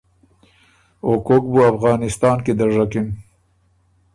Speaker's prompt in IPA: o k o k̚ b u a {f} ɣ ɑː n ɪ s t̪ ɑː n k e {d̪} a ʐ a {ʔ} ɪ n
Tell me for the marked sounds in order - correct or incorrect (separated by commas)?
correct, correct, incorrect